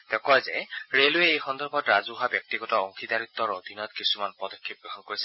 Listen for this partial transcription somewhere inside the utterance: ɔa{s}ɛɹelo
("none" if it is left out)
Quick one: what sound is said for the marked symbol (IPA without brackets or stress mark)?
z